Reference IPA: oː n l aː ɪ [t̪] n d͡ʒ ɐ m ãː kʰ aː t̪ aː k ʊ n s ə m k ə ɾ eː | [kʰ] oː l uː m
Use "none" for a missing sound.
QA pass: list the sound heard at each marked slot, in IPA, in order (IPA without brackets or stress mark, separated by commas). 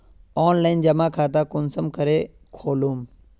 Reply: none, kʰ